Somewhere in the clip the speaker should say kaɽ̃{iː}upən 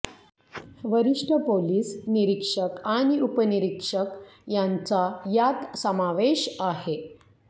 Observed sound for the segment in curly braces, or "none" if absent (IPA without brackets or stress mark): i